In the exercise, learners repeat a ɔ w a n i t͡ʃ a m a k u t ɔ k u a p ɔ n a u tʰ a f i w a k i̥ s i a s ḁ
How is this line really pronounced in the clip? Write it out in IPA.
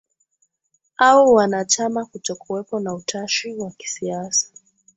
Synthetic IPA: a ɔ w a n a t͡ʃ a m a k u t ɔ k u ɛ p ɔ n a u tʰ a ʃ i w a k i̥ s i a s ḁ